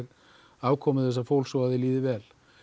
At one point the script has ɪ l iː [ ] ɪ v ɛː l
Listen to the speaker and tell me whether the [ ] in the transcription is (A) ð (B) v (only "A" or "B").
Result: A